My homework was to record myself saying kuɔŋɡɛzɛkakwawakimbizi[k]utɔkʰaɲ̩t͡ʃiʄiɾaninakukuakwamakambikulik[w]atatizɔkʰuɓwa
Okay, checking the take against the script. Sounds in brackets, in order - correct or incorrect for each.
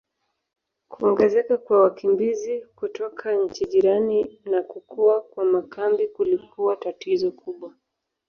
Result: correct, incorrect: u

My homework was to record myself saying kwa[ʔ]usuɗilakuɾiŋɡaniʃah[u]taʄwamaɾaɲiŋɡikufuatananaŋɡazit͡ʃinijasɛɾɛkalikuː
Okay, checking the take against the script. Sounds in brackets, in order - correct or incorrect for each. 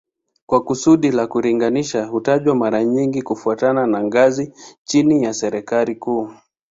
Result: incorrect: k, correct

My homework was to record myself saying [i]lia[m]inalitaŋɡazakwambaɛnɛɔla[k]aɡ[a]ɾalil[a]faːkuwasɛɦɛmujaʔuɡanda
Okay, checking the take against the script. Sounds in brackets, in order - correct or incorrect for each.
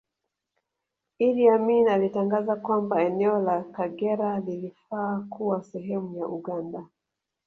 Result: correct, correct, correct, incorrect: ɛ, incorrect: i

